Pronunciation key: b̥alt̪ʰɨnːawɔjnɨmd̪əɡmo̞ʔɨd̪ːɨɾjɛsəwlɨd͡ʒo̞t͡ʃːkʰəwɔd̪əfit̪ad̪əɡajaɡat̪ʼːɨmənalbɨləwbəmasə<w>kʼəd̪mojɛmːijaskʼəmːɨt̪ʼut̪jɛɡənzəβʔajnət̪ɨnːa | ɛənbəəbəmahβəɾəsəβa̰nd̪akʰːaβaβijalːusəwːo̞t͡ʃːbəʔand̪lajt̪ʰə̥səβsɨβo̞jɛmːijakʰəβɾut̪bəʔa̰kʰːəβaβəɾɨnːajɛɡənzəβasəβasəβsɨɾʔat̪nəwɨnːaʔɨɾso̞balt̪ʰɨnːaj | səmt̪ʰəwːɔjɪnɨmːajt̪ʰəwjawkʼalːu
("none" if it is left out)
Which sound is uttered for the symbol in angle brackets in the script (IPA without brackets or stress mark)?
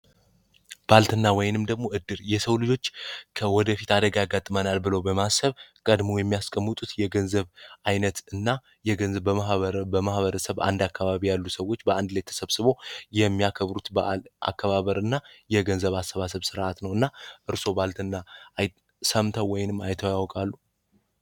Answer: β